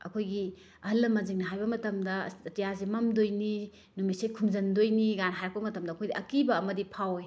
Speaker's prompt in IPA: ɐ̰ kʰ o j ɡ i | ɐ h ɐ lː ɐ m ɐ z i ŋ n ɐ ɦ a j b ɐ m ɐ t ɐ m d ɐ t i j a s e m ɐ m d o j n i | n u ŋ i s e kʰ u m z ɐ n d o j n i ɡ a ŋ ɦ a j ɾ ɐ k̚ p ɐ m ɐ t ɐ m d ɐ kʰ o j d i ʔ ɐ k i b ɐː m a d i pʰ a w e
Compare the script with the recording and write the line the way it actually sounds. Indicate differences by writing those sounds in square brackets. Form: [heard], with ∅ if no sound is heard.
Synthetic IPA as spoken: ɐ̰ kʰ o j ɡ i | ɐ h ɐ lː ɐ m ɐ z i ŋ n ɐ ɦ a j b ɐ m ɐ t ɐ m d ɐ t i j a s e m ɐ m d o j n i | n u [m] i s e kʰ u m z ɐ n d o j n i ɡ a [n] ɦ a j ɾ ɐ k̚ p ɐ m ɐ t ɐ m d ɐ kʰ o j d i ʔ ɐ k i b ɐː m [ɐ] d i pʰ a w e

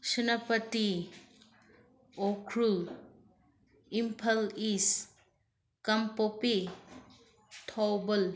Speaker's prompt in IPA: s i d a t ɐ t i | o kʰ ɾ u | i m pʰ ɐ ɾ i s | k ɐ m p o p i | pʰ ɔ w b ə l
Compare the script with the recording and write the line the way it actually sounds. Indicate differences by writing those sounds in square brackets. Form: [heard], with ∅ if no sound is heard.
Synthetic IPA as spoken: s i [n] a [p] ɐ t i | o kʰ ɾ u | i m pʰ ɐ [l] i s | k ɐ m p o p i | [tʰ] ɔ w b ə l

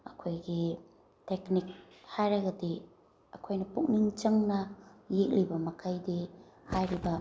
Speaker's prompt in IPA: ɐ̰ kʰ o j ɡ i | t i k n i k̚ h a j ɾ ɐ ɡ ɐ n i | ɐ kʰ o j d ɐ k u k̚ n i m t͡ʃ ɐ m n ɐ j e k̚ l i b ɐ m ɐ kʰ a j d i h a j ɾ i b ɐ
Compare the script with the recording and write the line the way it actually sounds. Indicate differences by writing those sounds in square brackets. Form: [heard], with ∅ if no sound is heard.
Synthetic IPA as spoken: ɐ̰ kʰ o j ɡ i | t [e] k n i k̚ h a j ɾ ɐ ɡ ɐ [d] i | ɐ kʰ o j [n] ɐ [p] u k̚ n i [ŋ] t͡ʃ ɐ [ŋ] n ɐ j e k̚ l i b ɐ m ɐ kʰ a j d i h a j ɾ i b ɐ

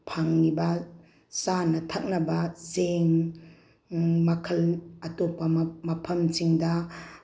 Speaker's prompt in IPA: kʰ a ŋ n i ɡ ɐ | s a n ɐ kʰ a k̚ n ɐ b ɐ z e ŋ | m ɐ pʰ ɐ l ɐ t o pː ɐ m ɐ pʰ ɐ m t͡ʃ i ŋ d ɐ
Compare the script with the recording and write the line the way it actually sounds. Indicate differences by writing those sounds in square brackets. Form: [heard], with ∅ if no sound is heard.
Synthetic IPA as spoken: [pʰ] a ŋ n i [b] ɐ | s a n ɐ [tʰ] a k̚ n ɐ b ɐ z e ŋ | m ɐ [kʰ] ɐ l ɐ t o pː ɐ m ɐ pʰ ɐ m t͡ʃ i ŋ d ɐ

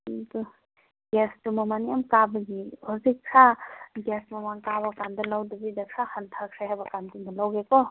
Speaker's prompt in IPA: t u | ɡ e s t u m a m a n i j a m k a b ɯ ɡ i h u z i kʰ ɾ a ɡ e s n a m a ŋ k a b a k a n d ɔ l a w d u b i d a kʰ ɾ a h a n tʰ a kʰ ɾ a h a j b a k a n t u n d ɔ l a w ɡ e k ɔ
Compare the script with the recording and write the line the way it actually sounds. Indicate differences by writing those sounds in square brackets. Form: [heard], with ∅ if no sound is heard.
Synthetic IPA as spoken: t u | ɡ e s t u m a m a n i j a m k a b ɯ ɡ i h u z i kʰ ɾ a ɡ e s [m] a m a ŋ k a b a k a n d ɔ l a w d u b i d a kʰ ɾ a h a n tʰ a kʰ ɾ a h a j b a k a n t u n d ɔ l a w ɡ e k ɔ

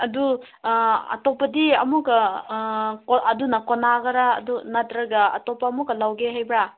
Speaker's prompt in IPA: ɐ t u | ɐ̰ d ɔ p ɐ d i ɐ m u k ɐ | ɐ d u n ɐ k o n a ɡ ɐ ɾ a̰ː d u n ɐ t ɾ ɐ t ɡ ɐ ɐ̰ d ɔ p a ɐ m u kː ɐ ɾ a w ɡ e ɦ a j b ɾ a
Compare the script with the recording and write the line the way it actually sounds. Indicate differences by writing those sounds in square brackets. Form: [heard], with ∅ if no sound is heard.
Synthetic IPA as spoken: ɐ [d] u | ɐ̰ [t] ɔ p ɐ d i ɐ m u k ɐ | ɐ d u n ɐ k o n a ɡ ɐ ɾ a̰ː d u n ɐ t ɾ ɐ [∅] ɡ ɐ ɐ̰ [t] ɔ p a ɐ m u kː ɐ [l] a w ɡ e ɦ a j b ɾ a

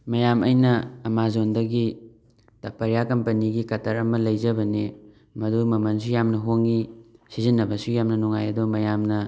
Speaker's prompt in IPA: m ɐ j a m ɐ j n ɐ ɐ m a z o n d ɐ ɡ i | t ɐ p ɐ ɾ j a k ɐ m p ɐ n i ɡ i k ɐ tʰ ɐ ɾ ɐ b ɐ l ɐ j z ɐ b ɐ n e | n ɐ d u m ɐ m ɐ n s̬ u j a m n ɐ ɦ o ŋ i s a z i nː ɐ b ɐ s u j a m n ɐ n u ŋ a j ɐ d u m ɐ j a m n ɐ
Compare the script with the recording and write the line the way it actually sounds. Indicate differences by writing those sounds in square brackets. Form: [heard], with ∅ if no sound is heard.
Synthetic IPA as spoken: m ɐ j a m ɐ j n ɐ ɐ m a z o n d ɐ ɡ i | t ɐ p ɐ ɾ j a k ɐ m p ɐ n i ɡ i k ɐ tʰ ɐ ɾ ɐ [m] ɐ l ɐ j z ɐ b ɐ n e | [m] ɐ d u m ɐ m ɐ n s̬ u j a m n ɐ ɦ o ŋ i s [i] z i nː ɐ b ɐ s u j a m n ɐ n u ŋ a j ɐ d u m ɐ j a m n ɐ

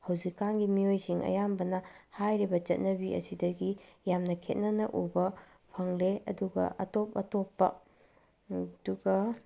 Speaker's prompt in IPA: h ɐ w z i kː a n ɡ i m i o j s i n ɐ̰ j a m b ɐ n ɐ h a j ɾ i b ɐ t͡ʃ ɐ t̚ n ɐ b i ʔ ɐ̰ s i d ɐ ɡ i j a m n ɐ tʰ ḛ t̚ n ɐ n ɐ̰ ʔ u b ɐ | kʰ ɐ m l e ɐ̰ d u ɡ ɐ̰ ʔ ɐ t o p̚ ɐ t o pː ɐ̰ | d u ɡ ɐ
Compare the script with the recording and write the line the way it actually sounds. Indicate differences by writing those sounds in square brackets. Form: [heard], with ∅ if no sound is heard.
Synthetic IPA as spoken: h ɐ w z i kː a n ɡ i m i o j s i [ŋ] ɐ̰ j a m b ɐ n ɐ h a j ɾ i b ɐ t͡ʃ ɐ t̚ n ɐ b i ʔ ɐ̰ s i d ɐ ɡ i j a m n ɐ [kʰ] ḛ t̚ n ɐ n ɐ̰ ʔ u b ɐ | [pʰ] ɐ [ŋ] l e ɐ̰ d u ɡ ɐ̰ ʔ ɐ t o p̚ ɐ t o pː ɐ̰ | d u ɡ ɐ

